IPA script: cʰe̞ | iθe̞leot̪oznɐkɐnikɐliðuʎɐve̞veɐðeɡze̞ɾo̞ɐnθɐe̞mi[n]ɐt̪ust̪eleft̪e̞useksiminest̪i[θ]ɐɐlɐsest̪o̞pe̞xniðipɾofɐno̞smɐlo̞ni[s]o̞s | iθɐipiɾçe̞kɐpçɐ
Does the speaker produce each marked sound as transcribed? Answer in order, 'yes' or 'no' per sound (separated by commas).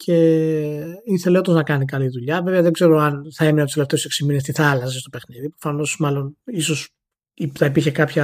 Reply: yes, yes, yes